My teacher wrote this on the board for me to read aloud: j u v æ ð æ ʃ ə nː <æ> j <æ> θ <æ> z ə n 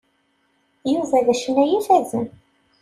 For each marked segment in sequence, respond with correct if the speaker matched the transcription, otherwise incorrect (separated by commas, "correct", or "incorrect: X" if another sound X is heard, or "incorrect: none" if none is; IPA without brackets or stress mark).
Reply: correct, incorrect: i, correct